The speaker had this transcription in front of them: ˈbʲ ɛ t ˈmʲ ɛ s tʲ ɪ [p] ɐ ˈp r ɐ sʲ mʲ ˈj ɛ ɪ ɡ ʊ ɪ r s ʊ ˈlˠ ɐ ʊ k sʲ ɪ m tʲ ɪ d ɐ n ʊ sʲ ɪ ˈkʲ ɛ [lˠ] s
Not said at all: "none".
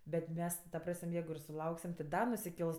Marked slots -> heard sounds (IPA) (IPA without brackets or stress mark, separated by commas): t, lˠ